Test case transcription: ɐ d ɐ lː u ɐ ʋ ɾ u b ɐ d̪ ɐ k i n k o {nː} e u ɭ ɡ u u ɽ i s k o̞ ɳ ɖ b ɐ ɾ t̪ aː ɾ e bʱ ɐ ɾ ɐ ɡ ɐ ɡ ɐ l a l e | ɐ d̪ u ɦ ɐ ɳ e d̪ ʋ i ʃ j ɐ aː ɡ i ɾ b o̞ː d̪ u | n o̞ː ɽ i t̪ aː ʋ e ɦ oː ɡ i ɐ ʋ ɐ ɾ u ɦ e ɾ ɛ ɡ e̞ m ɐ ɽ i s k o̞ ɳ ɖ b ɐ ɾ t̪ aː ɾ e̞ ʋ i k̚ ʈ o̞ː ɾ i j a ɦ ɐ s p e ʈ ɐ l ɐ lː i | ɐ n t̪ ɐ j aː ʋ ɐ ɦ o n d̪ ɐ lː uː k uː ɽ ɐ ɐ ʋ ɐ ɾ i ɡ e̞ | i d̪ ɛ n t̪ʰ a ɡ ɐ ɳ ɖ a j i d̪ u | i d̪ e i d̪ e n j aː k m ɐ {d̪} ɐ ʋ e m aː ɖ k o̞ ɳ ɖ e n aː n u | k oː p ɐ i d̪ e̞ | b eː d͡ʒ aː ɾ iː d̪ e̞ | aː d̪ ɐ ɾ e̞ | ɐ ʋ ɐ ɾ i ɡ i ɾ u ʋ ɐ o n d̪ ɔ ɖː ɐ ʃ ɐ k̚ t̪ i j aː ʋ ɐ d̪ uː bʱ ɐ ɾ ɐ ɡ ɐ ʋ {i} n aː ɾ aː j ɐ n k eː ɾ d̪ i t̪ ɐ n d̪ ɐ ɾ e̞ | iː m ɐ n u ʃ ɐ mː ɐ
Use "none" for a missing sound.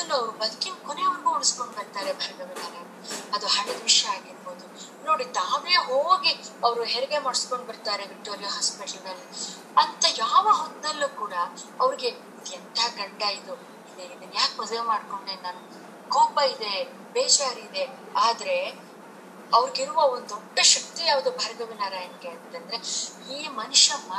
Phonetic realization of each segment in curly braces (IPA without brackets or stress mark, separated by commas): n, d̪, i